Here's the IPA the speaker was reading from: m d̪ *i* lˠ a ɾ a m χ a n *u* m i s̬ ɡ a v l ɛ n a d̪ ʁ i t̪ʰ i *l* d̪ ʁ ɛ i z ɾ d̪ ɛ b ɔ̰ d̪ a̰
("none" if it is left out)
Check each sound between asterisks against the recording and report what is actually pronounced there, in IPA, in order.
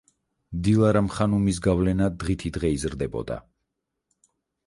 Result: i, u, none

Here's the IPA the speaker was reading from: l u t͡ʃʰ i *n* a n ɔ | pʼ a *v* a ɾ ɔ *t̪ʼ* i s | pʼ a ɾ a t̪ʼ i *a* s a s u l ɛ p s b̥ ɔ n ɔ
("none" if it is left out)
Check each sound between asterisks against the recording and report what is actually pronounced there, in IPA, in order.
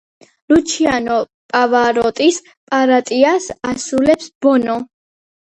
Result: none, v, t̪ʼ, a

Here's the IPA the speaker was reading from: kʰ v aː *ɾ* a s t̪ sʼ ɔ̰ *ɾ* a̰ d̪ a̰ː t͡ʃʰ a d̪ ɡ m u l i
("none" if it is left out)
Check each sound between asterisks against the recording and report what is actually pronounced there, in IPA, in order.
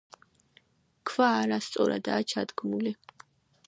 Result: ɾ, ɾ

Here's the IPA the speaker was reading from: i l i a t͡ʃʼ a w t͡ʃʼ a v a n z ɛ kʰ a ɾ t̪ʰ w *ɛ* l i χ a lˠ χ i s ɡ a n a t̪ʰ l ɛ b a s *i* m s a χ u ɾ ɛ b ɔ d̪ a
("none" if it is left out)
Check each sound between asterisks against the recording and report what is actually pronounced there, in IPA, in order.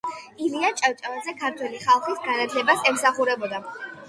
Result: ɛ, ɛ

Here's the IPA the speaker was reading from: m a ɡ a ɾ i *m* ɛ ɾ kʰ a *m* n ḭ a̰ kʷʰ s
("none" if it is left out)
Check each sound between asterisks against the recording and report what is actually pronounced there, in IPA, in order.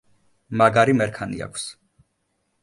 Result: m, none

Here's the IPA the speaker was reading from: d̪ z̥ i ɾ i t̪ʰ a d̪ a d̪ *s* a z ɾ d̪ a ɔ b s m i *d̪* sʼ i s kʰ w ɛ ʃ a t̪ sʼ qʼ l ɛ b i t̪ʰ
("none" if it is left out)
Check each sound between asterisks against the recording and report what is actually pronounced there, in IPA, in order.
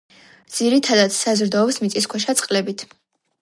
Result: s, t̪

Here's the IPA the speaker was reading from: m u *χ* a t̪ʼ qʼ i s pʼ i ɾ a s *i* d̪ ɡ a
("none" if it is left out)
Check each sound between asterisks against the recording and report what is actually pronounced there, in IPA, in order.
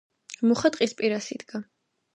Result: χ, i

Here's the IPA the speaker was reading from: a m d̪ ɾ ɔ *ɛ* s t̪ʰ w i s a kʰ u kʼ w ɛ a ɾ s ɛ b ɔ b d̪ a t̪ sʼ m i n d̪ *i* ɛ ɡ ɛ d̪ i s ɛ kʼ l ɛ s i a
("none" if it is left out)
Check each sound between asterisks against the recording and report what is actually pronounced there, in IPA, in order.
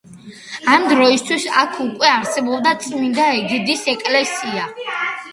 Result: i, a

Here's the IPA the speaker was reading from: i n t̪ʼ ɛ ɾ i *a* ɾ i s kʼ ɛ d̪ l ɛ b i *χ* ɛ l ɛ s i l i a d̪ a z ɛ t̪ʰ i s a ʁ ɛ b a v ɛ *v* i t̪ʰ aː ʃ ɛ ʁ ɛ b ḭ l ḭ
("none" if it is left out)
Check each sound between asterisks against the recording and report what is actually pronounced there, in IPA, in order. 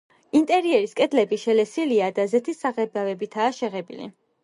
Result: ɛ, ʃ, b

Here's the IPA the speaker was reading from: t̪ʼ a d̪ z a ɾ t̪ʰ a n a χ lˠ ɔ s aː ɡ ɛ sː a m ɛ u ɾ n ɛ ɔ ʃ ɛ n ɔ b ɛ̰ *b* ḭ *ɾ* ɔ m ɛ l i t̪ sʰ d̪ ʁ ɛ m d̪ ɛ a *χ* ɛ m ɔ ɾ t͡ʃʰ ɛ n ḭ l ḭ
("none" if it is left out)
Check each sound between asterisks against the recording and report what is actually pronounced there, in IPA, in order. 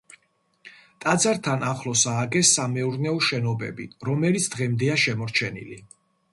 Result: b, ɾ, ʃ

